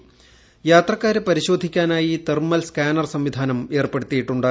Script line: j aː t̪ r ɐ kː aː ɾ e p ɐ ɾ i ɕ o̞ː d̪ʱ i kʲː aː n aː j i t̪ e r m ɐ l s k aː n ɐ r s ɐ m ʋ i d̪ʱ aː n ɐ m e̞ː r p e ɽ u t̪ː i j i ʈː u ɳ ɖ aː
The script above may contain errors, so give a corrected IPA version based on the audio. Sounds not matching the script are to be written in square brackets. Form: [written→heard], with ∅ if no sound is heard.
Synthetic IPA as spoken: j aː t̪ r ɐ kː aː ɾ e p ɐ ɾ i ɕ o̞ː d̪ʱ i kʲː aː n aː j i t̪ e r m ɐ l s k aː n ɐ r s ɐ m ʋ i d̪ʱ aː n ɐ m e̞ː r p e ɽ u t̪ː i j i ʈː u ɳ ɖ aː